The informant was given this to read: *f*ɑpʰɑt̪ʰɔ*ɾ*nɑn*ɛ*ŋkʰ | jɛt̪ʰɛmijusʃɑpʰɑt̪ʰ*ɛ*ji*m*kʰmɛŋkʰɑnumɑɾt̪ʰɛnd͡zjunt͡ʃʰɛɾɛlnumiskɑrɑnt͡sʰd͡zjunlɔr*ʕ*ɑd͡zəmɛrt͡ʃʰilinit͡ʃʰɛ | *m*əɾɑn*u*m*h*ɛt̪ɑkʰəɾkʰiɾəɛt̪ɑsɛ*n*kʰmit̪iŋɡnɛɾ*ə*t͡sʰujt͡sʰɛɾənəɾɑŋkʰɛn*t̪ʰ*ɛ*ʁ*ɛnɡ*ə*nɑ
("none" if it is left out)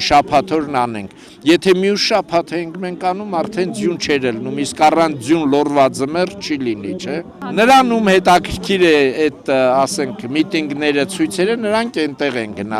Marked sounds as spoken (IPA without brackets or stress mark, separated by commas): ʃ, ɾ, ɛ, ɛ, ŋ, v, n, u, h, ŋ, ə, t̪, ʁ, ə